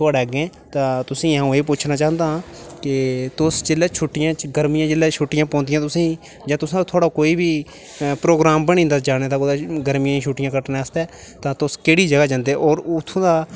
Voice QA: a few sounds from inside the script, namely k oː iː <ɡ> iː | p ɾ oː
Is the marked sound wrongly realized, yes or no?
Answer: yes